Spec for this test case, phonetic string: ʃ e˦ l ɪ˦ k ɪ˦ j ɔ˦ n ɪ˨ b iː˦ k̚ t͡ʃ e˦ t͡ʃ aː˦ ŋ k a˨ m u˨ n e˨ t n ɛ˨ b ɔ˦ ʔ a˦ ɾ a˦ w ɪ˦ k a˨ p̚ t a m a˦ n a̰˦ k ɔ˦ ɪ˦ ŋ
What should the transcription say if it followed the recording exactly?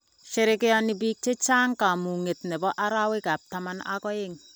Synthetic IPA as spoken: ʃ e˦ ɾ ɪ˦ k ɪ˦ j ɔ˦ n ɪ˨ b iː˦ k̚ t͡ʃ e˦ t͡ʃ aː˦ ŋ k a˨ m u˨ ŋ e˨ t n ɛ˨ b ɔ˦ ʔ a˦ ɾ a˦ w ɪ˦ k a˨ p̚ t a m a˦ n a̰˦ k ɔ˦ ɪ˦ ŋ